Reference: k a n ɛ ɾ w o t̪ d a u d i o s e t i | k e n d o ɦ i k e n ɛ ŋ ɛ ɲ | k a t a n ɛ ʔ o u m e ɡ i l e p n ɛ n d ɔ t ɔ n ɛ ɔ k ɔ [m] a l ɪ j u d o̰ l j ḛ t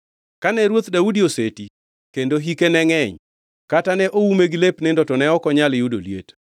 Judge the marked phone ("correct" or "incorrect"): incorrect